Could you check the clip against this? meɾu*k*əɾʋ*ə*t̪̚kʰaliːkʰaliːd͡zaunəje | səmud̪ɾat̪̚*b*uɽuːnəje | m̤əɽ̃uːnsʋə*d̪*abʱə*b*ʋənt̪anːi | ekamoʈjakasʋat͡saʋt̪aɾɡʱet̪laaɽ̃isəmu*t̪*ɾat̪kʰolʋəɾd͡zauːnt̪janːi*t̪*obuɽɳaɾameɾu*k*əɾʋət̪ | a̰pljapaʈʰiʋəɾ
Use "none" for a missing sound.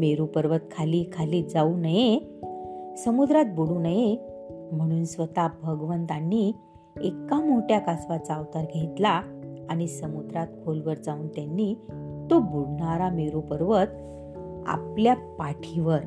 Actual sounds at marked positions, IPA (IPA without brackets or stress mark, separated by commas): p, ə, b, t̪, ɡ, d̪, t̪, p